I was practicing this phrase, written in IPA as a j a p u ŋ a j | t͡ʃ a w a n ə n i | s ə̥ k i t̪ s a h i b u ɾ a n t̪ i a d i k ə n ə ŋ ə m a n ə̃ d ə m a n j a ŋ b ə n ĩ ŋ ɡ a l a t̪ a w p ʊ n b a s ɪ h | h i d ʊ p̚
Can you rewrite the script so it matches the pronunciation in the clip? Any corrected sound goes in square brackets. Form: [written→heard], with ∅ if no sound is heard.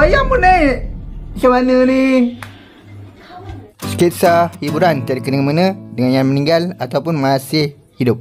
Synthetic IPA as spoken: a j a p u [ŋ→n] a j | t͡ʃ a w a n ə n i | s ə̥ k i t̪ s a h i b u ɾ a n t̪ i a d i k ə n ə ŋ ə m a n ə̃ d ə [m→ŋ] a n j a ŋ [b→m] ə n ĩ ŋ ɡ a l a t̪ a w p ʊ n [b→m] a s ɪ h | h i d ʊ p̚